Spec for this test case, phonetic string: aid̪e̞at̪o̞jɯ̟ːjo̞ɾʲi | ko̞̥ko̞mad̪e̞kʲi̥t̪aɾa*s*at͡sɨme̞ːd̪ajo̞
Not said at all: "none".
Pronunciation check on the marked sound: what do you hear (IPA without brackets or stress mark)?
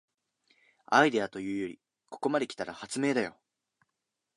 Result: h